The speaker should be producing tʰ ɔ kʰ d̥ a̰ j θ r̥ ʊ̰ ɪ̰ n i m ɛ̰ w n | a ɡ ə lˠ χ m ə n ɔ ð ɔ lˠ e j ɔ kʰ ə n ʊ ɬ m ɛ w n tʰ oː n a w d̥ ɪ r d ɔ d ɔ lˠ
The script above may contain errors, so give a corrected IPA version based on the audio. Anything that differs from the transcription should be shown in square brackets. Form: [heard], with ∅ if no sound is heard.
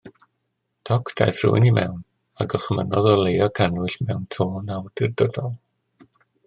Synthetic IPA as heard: tʰ ɔ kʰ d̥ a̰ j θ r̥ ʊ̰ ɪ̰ n i m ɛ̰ w n | a ɡ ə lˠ χ m ə n ɔ ð ɔ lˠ e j ɔ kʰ [a] n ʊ ɬ m ɛ w n tʰ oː n a w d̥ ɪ r d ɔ d ɔ lˠ